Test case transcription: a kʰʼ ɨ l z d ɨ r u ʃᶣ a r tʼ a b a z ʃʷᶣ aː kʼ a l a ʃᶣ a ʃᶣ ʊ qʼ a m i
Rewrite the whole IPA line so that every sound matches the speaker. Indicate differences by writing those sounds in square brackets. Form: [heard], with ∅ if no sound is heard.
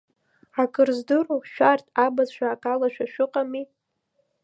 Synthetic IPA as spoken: a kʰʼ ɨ [r] z d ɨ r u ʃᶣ a r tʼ a b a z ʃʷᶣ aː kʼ a l a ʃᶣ a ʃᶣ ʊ qʼ a m i